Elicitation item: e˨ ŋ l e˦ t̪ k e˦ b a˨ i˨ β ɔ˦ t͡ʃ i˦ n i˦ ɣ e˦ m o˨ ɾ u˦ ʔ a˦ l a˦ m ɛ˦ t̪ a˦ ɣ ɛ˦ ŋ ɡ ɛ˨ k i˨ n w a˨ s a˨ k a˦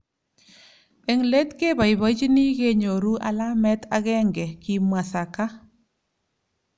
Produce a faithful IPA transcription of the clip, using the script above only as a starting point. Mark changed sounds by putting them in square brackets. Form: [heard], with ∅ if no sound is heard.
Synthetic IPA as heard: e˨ ŋ l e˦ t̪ k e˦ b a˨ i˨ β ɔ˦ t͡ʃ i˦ n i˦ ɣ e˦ [ɲ] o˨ ɾ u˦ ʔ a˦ l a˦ m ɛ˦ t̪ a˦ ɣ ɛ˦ ŋ ɡ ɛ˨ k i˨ [m] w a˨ s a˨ k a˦